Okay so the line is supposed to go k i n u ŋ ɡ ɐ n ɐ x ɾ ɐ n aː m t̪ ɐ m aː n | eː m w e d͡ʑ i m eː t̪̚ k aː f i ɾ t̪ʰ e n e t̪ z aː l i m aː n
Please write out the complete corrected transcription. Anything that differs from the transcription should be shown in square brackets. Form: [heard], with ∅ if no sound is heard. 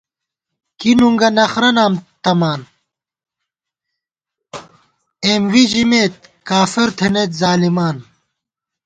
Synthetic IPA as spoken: k i n u ŋ ɡ ɐ n ɐ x ɾ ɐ n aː m t̪ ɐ m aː n | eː m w [i] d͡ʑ i m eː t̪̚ k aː f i ɾ t̪ʰ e n e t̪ z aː l i m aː n